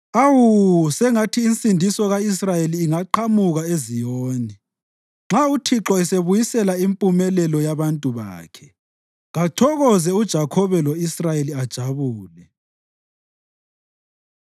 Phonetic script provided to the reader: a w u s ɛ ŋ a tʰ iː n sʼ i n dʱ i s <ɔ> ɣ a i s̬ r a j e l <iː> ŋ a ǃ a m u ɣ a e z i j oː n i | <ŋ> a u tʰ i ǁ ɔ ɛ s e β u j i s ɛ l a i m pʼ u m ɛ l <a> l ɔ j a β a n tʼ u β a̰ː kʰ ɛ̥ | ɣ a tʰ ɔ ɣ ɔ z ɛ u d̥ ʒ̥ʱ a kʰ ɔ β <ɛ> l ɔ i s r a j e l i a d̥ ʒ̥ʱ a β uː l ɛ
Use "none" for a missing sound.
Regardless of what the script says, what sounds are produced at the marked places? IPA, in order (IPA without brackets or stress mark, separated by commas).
ɔ, iː, ŋ͡ǁ, ɛ, ɛ